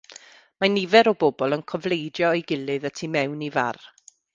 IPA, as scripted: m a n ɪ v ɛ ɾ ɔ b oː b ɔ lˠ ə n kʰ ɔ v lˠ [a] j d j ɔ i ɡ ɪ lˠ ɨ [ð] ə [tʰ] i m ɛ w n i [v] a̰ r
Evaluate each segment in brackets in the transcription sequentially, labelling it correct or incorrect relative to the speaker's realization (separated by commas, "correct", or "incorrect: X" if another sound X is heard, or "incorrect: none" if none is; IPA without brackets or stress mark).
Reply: incorrect: e, correct, correct, correct